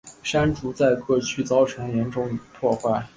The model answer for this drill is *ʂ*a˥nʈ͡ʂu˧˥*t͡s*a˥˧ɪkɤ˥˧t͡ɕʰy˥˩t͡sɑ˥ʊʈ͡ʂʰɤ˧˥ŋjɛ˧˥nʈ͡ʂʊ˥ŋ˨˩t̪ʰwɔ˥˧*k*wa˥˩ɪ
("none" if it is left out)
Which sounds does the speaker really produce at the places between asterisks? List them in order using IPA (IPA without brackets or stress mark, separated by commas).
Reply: ʂ, t͡s, x